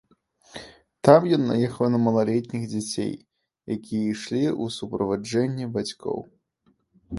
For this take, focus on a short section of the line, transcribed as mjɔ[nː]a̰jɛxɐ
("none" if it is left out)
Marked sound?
nː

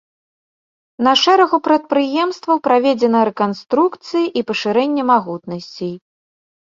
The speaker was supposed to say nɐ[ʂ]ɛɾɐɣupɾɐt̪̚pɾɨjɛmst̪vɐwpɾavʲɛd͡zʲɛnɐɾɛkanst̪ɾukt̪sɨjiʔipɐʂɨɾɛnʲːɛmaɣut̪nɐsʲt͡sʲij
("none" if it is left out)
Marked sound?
ʂ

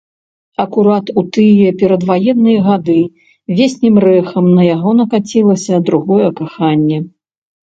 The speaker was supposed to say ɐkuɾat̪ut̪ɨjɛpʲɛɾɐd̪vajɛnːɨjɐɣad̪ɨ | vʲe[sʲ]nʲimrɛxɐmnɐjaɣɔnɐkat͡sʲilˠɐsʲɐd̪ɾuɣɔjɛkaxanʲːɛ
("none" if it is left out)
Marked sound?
sʲ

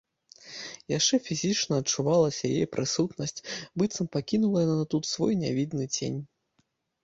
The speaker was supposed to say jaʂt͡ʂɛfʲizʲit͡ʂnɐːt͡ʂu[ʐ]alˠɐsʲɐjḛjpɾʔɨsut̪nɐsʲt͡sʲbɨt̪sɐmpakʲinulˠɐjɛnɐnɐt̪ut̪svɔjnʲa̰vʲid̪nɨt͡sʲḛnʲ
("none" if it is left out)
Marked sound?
v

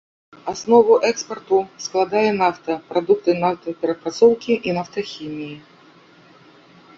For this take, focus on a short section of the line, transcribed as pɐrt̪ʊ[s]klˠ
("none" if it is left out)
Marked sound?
s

